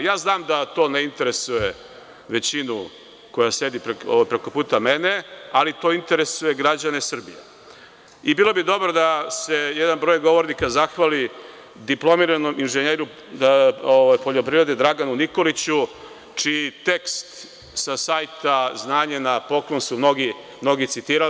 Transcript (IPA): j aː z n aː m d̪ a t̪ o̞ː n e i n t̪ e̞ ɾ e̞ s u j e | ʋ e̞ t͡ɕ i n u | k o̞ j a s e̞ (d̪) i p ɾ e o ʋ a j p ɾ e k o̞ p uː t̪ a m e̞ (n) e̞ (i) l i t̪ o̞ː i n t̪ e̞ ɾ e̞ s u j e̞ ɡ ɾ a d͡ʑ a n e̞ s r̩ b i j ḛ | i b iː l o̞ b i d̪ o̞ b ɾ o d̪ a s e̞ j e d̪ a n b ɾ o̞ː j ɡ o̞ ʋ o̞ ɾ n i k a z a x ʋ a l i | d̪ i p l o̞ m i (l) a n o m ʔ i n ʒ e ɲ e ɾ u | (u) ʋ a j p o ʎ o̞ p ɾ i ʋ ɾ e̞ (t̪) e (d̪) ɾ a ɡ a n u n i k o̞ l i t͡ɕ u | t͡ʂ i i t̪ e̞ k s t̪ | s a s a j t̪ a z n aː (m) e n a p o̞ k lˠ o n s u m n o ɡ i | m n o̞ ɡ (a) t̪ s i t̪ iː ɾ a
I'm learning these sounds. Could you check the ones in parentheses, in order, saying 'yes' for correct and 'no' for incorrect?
yes, yes, no, no, no, no, yes, no, no

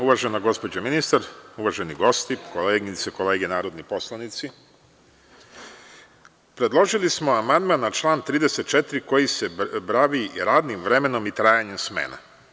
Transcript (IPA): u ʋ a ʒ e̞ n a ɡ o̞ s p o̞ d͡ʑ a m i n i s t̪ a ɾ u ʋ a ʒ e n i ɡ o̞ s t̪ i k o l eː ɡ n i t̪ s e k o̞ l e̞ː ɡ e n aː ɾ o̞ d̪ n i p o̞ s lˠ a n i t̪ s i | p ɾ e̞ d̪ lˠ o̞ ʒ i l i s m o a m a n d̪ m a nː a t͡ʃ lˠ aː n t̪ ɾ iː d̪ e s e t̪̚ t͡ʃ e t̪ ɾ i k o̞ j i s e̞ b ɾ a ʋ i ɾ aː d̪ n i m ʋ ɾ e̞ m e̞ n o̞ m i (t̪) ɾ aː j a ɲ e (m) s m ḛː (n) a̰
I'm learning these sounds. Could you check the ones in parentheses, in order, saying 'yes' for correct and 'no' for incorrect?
yes, yes, yes

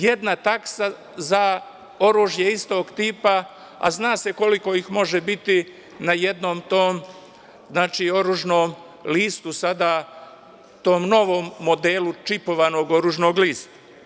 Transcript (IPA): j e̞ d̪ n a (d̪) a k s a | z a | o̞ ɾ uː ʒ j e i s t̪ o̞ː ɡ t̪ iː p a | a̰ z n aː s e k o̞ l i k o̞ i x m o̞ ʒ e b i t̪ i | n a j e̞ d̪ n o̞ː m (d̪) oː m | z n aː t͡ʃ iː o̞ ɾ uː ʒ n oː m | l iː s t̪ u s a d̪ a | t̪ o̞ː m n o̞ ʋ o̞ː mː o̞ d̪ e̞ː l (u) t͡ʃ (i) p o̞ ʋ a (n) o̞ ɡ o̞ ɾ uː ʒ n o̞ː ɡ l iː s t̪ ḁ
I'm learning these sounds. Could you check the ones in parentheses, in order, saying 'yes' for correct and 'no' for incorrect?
no, no, yes, yes, yes

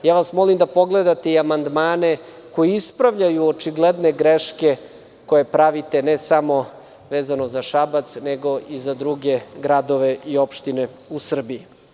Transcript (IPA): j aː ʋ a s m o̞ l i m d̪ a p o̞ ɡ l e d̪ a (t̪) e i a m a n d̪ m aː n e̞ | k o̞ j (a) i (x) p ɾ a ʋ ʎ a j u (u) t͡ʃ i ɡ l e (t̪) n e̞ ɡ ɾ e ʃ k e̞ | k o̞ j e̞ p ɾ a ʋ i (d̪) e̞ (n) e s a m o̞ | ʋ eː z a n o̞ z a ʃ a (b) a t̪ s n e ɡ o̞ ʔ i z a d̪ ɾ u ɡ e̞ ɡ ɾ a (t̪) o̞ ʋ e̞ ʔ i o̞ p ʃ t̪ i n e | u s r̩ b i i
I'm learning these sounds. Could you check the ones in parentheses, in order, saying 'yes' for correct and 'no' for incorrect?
yes, no, no, no, no, no, yes, yes, no

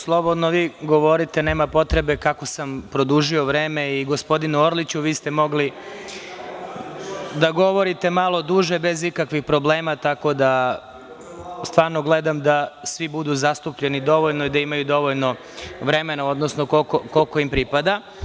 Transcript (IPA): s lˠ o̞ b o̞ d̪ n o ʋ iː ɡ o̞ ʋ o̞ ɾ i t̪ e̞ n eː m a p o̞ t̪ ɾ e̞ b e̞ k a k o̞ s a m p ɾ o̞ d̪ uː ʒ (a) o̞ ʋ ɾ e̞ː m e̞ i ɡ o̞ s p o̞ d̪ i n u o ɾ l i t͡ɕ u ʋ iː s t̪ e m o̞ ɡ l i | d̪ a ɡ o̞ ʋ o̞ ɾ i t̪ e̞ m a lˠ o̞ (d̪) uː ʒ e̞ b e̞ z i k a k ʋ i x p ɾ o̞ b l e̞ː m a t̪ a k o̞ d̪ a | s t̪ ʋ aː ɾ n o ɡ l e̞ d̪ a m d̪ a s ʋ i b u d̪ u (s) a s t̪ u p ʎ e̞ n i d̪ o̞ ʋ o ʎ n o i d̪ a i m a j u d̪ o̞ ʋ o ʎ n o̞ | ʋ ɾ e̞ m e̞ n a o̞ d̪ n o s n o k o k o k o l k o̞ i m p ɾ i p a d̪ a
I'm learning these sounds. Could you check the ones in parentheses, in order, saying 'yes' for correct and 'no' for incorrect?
no, yes, no

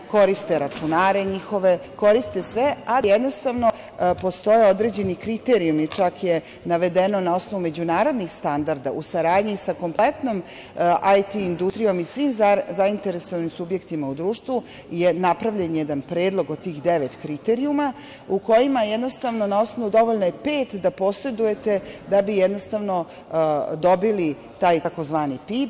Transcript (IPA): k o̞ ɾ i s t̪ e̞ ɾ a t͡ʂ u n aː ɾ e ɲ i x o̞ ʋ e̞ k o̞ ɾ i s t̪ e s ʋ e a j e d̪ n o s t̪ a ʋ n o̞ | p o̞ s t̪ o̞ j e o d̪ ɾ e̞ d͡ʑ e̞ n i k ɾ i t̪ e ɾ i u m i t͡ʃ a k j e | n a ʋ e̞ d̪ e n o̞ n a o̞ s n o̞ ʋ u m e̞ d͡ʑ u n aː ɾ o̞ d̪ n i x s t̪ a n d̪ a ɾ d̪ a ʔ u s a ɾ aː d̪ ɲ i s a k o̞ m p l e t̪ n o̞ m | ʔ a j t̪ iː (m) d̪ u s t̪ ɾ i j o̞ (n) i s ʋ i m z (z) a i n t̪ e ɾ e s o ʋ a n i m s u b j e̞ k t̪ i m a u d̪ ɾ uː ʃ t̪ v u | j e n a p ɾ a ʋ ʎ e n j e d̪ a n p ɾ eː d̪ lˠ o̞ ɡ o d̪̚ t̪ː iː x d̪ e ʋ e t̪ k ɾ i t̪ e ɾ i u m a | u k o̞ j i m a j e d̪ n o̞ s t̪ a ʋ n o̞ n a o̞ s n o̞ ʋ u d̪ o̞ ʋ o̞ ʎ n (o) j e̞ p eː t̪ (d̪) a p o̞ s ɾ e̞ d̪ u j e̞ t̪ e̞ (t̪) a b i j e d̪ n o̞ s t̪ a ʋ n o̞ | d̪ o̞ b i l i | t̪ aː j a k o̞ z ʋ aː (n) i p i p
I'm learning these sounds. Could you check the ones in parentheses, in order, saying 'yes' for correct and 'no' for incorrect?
no, no, yes, yes, yes, no, yes

